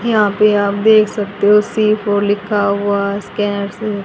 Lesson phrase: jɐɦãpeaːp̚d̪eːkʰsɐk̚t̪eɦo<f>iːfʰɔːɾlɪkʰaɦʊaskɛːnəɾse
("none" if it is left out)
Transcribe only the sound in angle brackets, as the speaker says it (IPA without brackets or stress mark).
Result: s